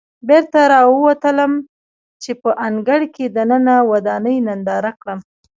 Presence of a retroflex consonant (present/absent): present